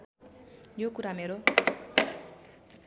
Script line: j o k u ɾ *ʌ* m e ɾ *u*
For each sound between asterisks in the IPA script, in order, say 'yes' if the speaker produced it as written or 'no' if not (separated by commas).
no, no